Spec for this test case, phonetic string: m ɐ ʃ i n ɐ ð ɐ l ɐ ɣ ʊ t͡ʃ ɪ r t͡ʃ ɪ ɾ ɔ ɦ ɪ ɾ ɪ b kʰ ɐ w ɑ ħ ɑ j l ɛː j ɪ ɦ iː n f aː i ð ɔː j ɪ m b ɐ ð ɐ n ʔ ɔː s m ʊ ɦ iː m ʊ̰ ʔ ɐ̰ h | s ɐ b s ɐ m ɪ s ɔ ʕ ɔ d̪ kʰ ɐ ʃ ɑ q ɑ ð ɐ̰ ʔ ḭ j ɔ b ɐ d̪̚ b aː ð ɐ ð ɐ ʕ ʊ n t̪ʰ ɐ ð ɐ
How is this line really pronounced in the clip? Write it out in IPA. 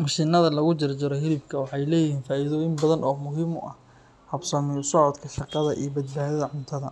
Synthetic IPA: m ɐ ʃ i n ɐ ð ɐ l ɐ ɣ ʊ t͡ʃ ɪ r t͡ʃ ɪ ɾ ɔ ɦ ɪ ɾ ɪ b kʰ ɐ w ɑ ħ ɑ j l ɛː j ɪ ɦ iː n f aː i ð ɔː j ɪ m b ɐ ð ɐ n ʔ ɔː m ʊ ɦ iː m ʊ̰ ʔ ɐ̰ h | h ɐ b s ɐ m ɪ s ɔ ʕ ɔ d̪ kʰ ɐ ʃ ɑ q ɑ ð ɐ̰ ʔ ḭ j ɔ b ɐ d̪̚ b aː ð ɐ ð ɐ ʕ ʊ n t̪ʰ ɐ ð ɐ